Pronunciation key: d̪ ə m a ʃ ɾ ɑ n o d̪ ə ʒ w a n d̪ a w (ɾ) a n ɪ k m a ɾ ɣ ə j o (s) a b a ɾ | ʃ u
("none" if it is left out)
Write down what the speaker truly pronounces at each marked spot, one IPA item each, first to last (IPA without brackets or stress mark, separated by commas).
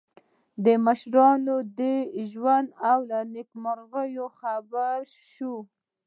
l, x